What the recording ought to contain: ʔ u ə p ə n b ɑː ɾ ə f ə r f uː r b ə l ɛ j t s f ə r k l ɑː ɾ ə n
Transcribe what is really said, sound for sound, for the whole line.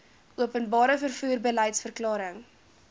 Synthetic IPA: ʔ u ə p ə n b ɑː ɾ ə f ə r f uː r b ə l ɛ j t s f ə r k l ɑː ɾ ə ŋ